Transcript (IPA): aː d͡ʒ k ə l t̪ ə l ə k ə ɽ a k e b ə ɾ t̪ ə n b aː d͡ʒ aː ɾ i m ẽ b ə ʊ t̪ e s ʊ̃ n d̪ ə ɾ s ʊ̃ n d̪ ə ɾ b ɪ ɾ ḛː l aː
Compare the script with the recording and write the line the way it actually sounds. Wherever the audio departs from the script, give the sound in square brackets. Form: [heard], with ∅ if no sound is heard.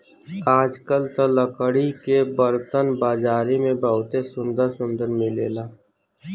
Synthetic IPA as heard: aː d͡ʒ k ə l t̪ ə l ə k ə ɽ [i] k e b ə ɾ t̪ ə n b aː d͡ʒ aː ɾ i m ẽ b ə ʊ t̪ e s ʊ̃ n d̪ ə ɾ s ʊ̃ n d̪ ə ɾ [m] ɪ [l] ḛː l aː